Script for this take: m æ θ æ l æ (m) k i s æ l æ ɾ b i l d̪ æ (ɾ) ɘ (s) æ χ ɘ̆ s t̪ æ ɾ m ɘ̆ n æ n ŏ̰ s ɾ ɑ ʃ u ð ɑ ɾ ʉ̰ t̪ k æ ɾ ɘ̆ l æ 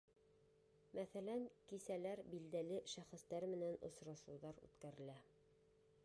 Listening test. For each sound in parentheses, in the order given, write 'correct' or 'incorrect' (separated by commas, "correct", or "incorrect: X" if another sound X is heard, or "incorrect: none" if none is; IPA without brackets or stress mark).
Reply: incorrect: ŋ, incorrect: l, incorrect: ʃ